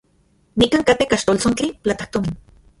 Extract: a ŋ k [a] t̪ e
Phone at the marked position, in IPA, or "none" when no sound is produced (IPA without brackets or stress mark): a